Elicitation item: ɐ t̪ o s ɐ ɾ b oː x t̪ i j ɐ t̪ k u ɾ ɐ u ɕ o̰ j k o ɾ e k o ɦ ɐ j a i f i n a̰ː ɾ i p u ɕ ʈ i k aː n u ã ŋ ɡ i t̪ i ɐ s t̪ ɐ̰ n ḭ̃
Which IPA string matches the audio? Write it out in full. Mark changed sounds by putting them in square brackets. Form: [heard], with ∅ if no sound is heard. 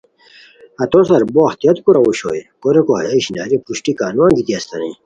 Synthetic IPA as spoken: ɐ t̪ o s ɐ ɾ b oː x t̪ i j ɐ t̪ k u ɾ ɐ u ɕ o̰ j k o ɾ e k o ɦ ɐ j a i [ɕ] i n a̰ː ɾ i p u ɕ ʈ i k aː n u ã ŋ ɡ i t̪ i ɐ s t̪ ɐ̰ n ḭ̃